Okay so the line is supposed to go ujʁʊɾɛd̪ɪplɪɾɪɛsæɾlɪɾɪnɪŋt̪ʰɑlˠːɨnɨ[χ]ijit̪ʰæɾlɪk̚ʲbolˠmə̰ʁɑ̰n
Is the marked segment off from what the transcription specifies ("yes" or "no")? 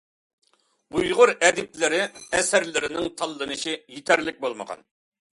yes